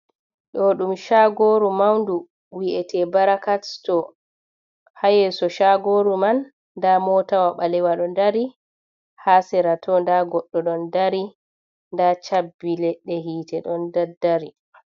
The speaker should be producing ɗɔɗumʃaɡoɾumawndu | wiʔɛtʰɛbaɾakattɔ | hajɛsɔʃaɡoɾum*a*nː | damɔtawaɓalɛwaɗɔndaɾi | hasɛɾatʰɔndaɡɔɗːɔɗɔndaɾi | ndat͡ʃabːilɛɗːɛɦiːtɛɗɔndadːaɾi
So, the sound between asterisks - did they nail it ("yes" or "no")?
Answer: yes